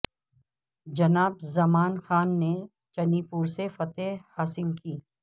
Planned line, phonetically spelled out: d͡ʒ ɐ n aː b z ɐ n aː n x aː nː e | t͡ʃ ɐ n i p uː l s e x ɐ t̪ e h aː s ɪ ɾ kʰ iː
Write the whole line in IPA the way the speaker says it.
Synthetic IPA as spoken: d͡ʒ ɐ n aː b z ɐ m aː n x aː nː e | t͡ʃ ɐ n i p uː ɾ s e f ɐ t̪ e h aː s ɪ l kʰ iː